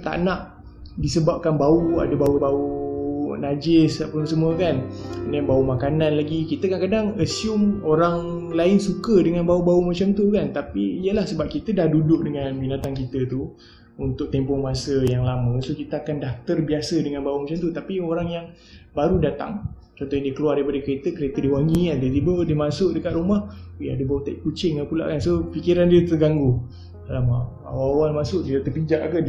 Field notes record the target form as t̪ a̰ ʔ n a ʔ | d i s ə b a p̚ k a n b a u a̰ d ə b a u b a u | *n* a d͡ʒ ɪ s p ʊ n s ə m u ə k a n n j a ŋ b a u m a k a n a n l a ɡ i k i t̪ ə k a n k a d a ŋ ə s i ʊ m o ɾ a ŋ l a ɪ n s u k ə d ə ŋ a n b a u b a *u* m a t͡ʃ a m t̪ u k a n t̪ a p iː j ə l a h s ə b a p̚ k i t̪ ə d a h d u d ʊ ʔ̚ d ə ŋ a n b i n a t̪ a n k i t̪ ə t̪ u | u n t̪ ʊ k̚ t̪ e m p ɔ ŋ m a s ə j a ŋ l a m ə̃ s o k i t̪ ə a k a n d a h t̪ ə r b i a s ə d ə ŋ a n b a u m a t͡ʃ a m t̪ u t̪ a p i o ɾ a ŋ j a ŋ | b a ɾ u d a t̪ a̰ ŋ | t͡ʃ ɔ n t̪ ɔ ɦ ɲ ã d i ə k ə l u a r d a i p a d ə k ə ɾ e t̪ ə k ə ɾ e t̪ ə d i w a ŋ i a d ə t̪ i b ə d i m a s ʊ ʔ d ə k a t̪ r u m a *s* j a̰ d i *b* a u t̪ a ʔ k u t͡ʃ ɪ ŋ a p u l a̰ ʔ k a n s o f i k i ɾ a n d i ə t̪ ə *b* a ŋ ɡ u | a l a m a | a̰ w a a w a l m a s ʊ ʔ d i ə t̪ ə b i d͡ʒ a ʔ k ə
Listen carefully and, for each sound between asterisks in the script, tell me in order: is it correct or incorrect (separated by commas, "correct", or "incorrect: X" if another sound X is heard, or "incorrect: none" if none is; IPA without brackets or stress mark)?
correct, correct, incorrect: h, correct, incorrect: ɡ